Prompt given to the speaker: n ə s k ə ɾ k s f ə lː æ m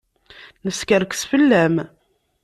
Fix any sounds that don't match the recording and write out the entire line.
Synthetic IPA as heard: n ə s k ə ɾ k s f ə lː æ m